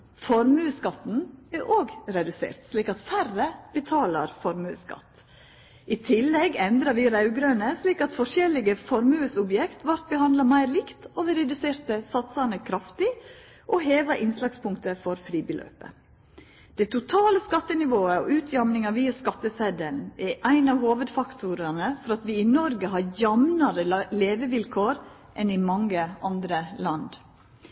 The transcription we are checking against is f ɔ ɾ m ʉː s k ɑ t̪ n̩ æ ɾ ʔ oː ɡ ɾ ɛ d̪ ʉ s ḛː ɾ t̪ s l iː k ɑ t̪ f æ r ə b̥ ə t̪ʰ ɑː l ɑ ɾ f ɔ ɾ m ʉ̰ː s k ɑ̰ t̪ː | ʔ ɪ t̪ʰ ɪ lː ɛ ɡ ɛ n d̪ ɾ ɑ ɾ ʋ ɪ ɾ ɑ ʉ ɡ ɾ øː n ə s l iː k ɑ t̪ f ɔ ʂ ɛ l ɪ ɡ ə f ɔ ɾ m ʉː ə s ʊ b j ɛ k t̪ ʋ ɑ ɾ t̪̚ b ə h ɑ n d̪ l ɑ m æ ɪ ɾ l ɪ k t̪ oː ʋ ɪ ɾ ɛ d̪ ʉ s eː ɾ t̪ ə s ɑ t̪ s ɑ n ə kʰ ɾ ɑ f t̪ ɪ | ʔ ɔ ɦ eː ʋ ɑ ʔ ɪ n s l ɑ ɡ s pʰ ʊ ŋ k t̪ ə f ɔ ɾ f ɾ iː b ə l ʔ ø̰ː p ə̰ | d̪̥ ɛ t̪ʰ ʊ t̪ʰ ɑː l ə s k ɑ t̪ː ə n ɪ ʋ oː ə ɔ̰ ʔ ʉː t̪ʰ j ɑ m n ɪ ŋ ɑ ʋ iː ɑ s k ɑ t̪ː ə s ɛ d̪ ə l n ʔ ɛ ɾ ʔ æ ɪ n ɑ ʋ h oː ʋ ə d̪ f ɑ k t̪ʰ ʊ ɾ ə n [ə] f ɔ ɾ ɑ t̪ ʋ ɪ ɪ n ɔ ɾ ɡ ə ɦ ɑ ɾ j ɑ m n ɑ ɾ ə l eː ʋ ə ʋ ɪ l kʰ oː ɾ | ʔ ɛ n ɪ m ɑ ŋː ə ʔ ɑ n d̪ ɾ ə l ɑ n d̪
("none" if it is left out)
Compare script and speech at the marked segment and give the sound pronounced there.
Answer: ə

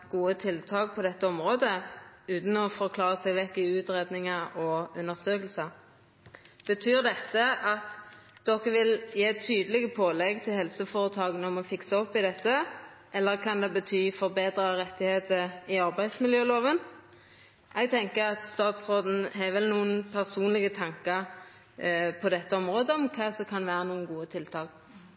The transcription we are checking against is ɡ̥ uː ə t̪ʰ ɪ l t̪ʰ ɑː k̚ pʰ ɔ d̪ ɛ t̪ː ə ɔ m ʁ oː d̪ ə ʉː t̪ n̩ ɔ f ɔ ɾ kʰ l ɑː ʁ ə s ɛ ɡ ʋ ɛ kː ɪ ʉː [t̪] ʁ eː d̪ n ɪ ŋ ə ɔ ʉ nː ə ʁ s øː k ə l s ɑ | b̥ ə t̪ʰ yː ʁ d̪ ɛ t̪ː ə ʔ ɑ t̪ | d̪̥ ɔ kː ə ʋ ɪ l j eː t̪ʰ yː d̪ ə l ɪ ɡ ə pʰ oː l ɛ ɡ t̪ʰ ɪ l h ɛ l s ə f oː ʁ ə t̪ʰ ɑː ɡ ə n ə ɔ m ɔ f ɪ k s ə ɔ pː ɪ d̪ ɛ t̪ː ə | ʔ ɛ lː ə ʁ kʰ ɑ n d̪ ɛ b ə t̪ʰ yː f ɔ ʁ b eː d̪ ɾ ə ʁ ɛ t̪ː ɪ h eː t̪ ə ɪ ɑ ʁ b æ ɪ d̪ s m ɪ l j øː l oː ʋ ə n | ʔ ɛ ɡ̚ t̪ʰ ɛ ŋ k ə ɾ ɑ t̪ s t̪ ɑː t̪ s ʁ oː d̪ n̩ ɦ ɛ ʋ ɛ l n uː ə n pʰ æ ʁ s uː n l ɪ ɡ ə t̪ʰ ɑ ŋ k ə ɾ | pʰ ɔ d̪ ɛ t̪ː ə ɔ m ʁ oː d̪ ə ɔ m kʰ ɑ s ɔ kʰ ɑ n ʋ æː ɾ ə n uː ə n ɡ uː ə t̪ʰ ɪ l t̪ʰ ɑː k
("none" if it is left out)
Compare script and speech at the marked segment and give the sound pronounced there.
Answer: t̪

